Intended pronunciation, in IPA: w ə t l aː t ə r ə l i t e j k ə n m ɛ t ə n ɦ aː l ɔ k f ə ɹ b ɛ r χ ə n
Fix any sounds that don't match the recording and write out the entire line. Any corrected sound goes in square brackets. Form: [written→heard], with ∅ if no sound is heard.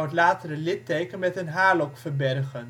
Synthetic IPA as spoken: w ə t l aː t ə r ə l [i→ɪ] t e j k ə n m ɛ t ə n ɦ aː l ɔ k f ə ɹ b ɛ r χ ə n